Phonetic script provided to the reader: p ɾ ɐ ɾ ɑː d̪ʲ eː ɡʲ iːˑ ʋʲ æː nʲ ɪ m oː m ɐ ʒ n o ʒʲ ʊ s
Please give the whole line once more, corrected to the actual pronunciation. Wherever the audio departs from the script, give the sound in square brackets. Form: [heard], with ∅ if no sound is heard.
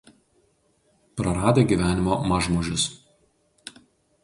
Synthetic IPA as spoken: p ɾ ɐ ɾ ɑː d̪ʲ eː ɡʲ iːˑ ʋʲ æː nʲ ɪ m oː m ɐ ʒ [m] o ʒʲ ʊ s